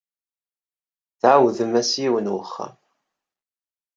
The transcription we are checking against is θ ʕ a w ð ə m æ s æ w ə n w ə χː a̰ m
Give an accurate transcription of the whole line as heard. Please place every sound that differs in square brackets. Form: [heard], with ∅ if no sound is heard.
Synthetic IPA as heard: θ ʕ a w ð ə m æ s [i] w ə n w ə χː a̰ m